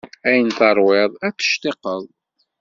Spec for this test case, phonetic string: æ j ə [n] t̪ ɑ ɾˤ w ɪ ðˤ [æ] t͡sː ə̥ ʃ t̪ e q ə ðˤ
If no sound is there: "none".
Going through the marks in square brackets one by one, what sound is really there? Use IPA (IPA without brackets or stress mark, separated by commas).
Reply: n, æ